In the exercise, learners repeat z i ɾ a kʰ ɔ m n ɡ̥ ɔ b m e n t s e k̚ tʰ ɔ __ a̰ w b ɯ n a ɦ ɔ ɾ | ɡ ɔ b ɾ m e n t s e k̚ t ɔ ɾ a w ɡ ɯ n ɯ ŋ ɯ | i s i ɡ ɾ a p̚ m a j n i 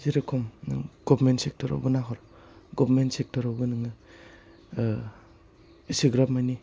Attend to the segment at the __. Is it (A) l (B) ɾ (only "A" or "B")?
B